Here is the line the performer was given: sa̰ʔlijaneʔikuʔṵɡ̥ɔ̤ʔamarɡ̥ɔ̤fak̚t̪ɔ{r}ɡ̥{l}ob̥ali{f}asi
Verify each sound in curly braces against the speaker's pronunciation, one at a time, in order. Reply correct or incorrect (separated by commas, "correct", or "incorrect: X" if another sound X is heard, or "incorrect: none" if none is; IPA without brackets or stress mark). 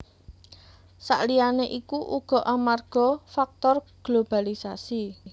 correct, correct, incorrect: s